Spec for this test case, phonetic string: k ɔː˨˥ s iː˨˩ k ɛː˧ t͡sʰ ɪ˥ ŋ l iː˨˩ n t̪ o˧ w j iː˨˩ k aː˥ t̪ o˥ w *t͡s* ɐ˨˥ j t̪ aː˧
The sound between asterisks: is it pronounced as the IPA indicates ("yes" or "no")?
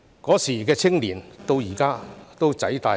yes